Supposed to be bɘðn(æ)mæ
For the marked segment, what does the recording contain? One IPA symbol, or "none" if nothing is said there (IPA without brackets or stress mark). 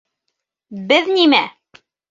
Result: i